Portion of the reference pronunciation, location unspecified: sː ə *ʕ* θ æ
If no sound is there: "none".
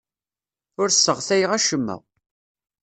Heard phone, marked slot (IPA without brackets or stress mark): ʁ